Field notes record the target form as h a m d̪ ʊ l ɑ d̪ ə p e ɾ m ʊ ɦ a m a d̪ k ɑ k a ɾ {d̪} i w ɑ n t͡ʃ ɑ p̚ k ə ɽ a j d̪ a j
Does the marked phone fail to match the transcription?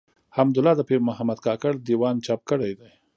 no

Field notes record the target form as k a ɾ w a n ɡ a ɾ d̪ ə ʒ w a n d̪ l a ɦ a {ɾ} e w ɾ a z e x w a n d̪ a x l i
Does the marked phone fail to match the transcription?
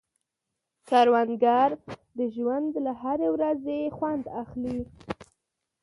no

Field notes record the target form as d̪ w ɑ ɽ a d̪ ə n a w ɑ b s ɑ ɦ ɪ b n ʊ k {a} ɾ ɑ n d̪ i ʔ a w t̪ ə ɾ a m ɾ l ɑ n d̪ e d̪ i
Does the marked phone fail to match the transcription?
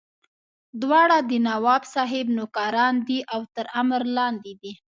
yes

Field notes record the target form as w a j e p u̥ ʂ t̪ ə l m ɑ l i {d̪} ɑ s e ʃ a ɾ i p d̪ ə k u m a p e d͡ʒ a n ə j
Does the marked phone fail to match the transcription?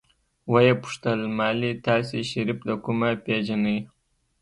yes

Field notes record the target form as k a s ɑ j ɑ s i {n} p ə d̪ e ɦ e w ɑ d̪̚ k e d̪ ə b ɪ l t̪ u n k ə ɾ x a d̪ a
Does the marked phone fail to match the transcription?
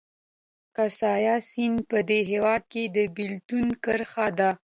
no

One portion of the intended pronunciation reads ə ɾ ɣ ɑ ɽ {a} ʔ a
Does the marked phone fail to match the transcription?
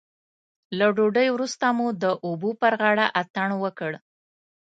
no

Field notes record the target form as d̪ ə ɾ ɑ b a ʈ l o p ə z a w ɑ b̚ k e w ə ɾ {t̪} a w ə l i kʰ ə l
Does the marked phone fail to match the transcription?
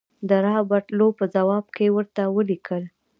no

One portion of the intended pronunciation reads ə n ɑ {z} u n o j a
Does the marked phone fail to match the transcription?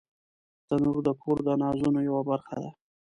no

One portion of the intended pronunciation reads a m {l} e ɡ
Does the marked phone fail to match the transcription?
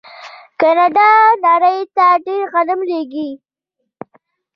no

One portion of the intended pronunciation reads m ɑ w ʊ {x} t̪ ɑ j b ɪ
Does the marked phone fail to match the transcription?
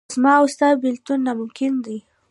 yes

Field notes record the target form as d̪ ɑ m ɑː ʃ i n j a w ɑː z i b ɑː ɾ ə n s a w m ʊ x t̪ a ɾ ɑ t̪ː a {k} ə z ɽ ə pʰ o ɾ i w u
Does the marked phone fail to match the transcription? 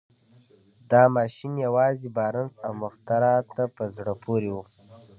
yes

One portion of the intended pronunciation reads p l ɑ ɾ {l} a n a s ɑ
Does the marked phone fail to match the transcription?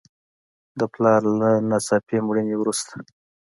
no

